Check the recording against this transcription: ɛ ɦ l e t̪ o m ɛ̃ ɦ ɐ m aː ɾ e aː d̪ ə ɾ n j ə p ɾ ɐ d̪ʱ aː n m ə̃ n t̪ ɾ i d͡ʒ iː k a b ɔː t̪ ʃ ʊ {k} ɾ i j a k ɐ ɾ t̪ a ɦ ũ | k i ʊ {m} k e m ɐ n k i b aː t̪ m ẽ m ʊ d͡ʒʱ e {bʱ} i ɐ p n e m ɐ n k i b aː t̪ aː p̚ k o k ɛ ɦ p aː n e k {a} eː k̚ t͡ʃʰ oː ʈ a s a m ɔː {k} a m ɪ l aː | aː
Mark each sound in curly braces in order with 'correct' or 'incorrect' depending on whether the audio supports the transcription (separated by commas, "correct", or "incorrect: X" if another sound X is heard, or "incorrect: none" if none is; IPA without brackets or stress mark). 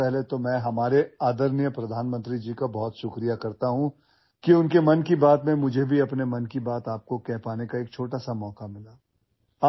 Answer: correct, incorrect: n, correct, correct, correct